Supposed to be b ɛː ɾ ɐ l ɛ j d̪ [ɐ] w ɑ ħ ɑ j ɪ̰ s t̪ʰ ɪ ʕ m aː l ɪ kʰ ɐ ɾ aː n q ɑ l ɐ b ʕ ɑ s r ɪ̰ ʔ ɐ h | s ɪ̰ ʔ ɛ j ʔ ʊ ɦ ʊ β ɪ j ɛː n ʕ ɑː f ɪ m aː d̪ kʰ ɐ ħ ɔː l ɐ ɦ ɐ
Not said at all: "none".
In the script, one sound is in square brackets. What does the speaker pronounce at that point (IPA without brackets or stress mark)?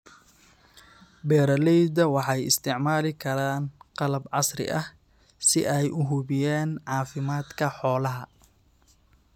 ɐ